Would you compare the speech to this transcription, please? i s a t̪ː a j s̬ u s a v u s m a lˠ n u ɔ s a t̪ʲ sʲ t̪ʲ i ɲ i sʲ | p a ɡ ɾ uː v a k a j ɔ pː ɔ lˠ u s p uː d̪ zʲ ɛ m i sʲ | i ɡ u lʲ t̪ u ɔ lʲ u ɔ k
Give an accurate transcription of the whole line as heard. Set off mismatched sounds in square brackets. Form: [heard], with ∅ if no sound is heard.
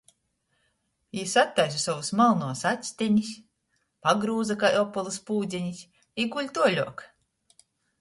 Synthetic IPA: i s a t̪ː a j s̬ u s a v u s m a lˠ n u ɔ s a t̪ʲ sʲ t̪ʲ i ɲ i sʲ | p a ɡ ɾ uː [z] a k a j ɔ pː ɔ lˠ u s p uː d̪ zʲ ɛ [ɲ] i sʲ | i ɡ u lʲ t̪ u ɔ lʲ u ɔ k

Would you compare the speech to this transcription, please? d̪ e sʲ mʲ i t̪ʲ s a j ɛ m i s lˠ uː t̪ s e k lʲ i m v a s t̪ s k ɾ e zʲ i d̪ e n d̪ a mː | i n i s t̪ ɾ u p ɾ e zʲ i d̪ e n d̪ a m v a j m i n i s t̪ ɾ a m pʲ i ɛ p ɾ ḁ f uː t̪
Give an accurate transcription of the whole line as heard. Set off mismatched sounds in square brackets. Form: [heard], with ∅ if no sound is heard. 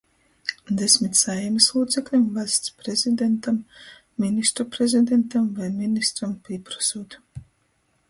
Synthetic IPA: d̪ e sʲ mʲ i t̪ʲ s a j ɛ m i s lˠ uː t̪ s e k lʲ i m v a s t̪ s [p] ɾ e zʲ i d̪ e n [t̪] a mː | i n i s t̪ ɾ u p ɾ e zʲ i d̪ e n [t̪] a m v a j m i n i s t̪ ɾ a m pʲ i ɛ p ɾ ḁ [s] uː t̪

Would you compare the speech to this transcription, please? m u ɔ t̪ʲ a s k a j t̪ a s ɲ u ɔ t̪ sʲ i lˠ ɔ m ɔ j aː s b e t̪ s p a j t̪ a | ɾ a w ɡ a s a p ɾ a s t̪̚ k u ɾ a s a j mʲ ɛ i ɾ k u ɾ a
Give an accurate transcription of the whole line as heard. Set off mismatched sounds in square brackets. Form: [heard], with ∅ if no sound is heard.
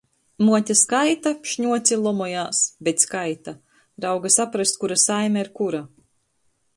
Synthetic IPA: m u ɔ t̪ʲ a s k a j t̪ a [ʃ] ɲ u ɔ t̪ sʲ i lˠ ɔ m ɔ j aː s b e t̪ s [k] a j t̪ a | ɾ a w ɡ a s a p ɾ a s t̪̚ k u ɾ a s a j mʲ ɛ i ɾ k u ɾ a

